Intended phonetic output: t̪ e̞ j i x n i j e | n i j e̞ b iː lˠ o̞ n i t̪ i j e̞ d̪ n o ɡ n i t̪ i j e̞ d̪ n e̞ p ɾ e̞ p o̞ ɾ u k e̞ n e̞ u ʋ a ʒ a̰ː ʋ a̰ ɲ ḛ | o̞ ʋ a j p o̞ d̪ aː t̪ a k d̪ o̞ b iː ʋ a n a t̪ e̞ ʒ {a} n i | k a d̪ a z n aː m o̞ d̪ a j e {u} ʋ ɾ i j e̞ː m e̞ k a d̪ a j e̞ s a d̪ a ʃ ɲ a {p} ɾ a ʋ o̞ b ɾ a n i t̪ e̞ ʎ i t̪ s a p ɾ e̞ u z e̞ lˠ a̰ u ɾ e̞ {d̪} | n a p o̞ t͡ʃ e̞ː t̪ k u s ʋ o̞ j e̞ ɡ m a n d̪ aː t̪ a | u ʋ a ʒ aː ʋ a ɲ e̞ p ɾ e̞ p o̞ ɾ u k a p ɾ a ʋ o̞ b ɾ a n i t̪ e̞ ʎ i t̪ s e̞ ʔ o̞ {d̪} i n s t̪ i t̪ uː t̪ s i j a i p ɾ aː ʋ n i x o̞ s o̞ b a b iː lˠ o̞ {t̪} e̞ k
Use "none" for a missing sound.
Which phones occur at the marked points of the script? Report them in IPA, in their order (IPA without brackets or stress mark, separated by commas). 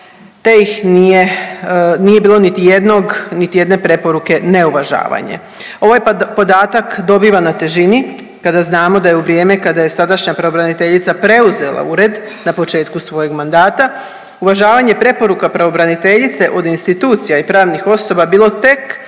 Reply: i, u, p, d̪, d̪, t̪